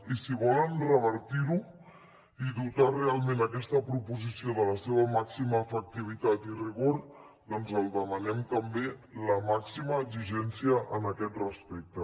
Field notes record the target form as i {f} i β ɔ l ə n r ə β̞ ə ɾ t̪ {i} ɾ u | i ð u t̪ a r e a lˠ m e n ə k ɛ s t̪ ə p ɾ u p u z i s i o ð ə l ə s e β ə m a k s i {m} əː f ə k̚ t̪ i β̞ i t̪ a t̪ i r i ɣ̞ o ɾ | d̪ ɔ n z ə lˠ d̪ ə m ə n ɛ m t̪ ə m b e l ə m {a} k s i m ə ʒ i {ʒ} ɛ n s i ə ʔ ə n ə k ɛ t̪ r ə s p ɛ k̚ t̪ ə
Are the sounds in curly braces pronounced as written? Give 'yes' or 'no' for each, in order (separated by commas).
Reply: no, yes, yes, yes, yes